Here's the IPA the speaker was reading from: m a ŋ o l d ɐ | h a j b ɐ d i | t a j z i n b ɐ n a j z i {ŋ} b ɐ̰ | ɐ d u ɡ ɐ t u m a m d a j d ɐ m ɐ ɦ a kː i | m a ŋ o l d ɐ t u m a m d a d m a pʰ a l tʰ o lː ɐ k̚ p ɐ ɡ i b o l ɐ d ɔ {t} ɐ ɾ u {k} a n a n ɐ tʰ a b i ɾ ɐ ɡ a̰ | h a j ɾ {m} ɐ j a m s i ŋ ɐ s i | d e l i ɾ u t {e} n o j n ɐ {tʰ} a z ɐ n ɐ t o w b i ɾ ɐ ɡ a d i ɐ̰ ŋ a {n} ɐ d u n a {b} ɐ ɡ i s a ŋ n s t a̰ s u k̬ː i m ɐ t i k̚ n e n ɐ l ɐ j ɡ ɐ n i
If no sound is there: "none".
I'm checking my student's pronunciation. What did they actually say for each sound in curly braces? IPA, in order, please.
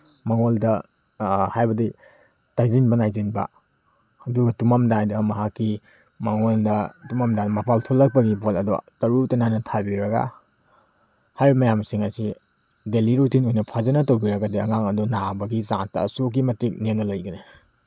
n, t, t, m, i, pʰ, ŋ, b

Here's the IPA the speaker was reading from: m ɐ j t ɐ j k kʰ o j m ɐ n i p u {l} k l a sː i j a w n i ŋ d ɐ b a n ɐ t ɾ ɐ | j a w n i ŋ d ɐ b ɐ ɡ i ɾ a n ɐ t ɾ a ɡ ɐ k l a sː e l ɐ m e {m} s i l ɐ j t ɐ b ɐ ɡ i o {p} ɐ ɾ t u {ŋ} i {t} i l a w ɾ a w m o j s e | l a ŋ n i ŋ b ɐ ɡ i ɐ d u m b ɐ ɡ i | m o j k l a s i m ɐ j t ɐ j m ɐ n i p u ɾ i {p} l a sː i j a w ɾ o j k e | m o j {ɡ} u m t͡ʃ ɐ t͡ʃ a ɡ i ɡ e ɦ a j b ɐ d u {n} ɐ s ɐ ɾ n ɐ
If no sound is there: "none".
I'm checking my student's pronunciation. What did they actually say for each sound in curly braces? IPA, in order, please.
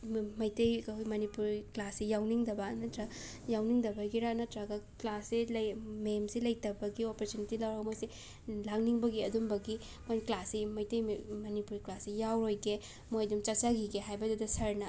ɾ, m, p, n, t, k, d, d

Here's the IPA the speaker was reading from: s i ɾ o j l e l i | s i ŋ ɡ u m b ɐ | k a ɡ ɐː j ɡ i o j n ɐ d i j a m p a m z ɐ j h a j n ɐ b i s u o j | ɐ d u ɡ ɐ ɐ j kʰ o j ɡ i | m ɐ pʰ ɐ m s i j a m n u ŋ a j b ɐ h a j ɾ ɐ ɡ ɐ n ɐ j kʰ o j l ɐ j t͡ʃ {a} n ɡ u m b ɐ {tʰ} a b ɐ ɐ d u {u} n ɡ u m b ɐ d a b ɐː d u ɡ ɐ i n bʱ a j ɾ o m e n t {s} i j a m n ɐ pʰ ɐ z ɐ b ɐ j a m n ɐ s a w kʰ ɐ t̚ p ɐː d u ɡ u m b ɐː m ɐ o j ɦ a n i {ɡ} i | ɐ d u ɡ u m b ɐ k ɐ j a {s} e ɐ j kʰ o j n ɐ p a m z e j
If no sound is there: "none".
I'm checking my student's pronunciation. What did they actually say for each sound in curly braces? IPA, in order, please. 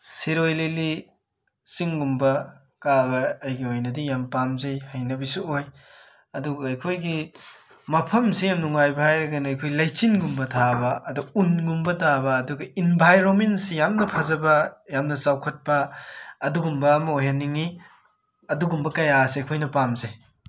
i, tʰ, u, s, ŋ, s

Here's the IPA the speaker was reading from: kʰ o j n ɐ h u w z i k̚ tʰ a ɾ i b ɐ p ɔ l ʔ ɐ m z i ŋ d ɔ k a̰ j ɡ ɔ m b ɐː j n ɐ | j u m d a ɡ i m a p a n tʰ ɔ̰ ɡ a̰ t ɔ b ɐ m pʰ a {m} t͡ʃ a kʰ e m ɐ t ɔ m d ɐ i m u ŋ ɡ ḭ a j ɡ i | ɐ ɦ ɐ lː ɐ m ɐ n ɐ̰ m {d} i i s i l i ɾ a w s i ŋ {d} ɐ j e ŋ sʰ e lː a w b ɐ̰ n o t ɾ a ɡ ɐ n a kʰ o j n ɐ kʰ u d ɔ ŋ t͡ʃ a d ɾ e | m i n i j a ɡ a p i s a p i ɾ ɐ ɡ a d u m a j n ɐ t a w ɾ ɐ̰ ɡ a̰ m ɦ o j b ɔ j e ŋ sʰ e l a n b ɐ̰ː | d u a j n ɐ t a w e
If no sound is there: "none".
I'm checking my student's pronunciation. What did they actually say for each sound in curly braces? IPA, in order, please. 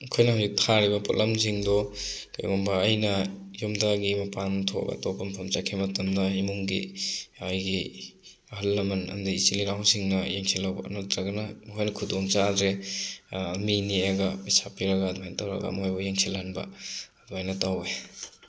m, d, n

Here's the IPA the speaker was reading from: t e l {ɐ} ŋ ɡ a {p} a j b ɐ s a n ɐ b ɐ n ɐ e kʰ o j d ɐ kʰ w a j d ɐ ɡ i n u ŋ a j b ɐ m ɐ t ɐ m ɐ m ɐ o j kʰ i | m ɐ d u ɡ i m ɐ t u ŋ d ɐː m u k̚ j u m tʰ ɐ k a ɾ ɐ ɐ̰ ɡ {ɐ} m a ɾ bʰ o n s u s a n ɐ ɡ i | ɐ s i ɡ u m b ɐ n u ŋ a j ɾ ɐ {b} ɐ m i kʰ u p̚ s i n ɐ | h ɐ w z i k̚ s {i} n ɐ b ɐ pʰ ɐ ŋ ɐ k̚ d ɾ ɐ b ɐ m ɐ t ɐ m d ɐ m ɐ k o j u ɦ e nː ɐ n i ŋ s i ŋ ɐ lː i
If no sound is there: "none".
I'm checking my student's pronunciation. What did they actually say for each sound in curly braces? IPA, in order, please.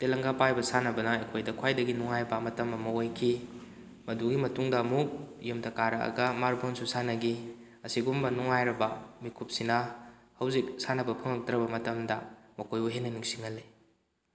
ɐ, p, ɐ, b, a

